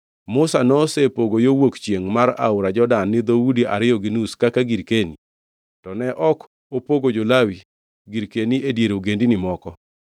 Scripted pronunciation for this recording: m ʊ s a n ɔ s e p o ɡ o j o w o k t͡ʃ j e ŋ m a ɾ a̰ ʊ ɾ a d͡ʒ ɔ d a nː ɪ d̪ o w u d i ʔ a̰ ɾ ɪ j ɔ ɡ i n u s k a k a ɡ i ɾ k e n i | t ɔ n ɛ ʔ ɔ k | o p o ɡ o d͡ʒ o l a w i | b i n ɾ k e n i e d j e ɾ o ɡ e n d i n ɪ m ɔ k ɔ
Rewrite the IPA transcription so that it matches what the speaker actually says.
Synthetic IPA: m ʊ s a n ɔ s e p o ɡ o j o w o k t͡ʃ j e ŋ m a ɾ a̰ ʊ ɾ a d͡ʒ ɔ d a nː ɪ d̪ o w u d i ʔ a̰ ɾ ɪ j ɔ ɡ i n u s k a k a ɡ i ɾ k e n i | t ɔ n ɛ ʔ ɔ k | o p o ɡ o d͡ʒ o l a w i | ɡ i ɾ k e n i e d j e ɾ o ɡ e n d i n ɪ m ɔ k ɔ